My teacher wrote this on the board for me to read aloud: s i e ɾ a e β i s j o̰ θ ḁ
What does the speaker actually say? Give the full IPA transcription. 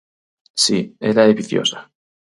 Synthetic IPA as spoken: s i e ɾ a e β i θ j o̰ s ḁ